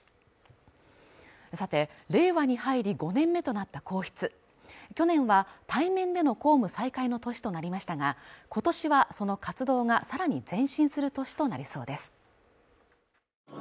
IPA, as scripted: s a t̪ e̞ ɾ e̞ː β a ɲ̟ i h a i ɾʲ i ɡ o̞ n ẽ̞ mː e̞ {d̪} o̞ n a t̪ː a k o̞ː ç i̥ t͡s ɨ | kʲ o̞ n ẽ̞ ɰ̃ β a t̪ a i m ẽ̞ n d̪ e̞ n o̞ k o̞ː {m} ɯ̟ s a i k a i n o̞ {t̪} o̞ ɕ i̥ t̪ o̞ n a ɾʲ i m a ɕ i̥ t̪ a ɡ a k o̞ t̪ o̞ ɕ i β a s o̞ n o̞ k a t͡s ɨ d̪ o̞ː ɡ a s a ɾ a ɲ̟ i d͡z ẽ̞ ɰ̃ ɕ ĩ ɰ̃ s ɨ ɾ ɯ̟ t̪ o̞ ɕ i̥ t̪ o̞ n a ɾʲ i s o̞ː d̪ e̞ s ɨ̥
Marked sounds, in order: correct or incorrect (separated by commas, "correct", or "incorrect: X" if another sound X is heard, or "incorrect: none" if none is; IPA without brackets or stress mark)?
incorrect: t̪, correct, correct